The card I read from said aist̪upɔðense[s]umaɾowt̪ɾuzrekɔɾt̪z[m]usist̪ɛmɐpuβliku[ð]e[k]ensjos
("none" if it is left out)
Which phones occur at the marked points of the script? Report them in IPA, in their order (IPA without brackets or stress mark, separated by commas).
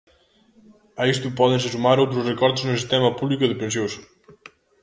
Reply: s, n, ð, p